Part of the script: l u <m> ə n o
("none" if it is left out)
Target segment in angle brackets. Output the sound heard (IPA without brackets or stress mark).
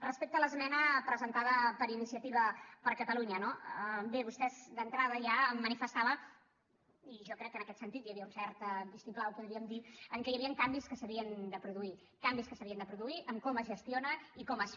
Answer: ɲ